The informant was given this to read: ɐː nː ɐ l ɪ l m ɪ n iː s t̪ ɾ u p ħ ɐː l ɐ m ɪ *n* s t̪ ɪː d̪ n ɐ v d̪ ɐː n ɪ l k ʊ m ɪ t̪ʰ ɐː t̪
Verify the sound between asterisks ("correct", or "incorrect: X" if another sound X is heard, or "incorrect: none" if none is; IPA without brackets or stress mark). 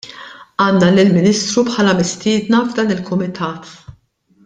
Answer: incorrect: none